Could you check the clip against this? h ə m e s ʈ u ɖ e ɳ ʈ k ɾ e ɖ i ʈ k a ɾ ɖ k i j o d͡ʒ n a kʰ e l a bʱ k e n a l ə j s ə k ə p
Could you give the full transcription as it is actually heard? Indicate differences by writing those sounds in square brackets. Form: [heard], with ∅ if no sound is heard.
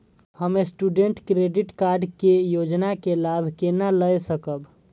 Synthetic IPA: h ə m e s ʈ u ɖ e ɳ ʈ k ɾ e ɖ i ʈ k a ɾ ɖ k [e] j o d͡ʒ n a [k] e l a bʱ k e n a l ə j s ə k ə [b]